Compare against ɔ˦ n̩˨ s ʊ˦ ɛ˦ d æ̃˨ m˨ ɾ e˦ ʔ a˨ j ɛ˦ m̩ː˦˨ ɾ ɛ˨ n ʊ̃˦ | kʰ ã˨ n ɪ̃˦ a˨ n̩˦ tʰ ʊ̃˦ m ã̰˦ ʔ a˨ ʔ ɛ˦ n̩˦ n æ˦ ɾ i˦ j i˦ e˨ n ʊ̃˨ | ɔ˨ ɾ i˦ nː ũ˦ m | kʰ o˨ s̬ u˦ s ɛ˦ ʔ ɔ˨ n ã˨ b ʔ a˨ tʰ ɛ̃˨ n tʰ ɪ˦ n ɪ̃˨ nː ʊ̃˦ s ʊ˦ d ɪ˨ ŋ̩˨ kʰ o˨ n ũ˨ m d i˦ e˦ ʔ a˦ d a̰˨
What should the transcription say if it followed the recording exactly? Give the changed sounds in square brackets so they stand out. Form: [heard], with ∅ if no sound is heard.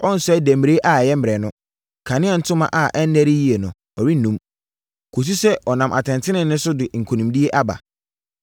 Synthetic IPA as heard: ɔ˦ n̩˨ s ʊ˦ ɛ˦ d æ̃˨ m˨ ɾ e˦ ʔ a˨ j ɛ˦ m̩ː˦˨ ɾ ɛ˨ n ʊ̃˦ | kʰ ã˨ n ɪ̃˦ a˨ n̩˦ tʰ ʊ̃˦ m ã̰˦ ʔ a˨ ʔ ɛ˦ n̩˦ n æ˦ ɾ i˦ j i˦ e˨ n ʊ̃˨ | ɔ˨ ɾ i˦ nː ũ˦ m | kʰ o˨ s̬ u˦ s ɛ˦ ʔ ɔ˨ n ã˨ [m] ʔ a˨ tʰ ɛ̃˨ n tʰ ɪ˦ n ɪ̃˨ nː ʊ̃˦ s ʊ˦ d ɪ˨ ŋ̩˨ kʰ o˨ n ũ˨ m d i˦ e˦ ʔ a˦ [b] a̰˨